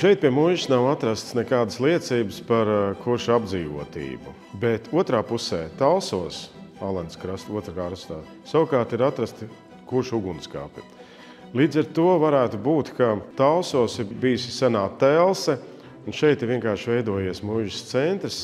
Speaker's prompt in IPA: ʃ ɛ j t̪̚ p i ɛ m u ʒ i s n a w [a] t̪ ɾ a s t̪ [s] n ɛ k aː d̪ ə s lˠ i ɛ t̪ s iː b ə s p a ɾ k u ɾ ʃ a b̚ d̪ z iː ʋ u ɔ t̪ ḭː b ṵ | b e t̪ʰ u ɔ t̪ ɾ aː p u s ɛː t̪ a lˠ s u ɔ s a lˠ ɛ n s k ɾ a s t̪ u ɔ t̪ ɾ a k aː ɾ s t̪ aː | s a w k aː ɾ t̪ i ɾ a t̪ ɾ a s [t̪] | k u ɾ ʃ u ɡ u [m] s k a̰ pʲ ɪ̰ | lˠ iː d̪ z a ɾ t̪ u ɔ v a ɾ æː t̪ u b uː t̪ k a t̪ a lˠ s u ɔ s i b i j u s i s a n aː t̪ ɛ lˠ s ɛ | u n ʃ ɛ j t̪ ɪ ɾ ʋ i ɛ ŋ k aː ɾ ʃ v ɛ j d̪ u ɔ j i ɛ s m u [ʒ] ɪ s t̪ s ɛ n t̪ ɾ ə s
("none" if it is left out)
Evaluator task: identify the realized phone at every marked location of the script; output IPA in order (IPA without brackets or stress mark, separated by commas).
a, s, t̪, n, ʒ